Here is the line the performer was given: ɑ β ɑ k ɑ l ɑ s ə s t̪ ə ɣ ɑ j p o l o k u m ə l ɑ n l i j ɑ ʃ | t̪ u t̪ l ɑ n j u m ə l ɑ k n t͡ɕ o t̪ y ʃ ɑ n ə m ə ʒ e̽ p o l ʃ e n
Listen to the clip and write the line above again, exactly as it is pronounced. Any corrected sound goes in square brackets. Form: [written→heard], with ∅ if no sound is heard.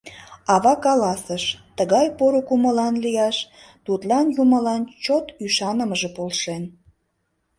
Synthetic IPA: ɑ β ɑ k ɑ l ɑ s ə [s→ʃ] t̪ ə ɣ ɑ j p o [l→ɾ] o k u m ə l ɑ n l i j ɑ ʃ | t̪ u t̪ l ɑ n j u m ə l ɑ [k→∅] n t͡ɕ o t̪ y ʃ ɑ n ə m ə ʒ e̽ p o l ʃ e n